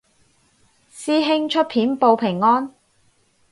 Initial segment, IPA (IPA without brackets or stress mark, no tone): s